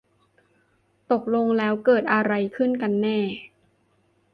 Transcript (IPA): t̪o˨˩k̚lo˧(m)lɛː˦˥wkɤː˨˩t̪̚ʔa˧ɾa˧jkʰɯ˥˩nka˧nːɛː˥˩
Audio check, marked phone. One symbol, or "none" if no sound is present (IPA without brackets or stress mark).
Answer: ŋ